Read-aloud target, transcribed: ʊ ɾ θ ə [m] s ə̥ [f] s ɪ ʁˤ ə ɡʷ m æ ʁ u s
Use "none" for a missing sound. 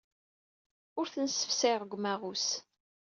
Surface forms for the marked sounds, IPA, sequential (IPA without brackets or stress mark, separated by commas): n, f